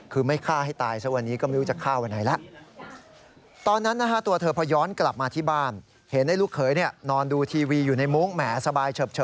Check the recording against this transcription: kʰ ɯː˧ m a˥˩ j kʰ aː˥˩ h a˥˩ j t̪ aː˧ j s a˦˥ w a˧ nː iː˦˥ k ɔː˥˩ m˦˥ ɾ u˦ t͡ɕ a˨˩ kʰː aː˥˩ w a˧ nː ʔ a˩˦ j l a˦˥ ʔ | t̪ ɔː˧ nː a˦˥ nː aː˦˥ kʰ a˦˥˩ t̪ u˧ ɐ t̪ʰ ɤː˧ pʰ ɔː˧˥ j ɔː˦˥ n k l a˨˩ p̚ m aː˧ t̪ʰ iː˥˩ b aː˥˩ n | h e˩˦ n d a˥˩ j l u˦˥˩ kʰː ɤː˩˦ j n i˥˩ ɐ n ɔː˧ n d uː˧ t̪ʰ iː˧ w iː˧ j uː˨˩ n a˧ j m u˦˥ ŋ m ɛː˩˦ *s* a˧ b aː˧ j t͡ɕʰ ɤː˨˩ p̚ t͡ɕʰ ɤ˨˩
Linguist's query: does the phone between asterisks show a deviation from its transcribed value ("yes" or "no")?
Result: no